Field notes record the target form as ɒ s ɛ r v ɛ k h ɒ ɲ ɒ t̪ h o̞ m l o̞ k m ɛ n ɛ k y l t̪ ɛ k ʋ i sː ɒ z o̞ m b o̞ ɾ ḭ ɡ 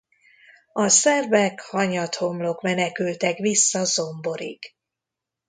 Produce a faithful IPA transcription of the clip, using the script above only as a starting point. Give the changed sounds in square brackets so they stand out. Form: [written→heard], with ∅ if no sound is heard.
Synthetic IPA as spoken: ɒ s ɛ r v ɛ k h ɒ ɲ ɒ t̪ h o̞ m l o̞ k m ɛ n ɛ k y l t̪ ɛ k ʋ i sː ɒ z o̞ m b o̞ ɾ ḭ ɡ